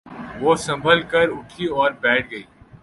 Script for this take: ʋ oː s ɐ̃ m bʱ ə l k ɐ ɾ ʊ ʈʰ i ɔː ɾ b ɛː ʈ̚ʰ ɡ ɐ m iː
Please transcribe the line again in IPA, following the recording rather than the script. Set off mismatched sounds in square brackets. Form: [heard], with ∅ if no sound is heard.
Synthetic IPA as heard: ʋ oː s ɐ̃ m bʱ ə l k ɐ ɾ ʊ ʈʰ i ɔː ɾ b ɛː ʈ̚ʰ ɡ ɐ [∅] iː